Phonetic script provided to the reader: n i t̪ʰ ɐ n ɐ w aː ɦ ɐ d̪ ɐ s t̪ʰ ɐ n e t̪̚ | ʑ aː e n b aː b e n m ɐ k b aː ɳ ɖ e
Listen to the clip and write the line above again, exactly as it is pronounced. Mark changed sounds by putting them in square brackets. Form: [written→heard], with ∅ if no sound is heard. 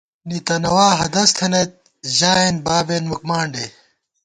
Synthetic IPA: n i [t̪ʰ→t̪] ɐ n ɐ w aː ɦ ɐ d̪ ɐ s t̪ʰ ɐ n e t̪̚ | ʑ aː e n b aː b e n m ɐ k [b→m] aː ɳ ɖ e